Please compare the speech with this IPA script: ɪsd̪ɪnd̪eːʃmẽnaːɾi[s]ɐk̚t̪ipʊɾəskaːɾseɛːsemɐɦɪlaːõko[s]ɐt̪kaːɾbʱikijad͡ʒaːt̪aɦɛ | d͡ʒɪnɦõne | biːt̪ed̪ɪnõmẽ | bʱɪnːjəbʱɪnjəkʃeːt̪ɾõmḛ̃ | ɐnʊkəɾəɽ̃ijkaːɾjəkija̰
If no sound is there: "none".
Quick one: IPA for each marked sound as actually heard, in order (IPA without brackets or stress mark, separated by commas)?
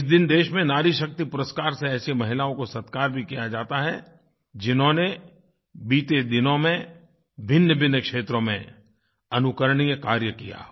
ʃ, s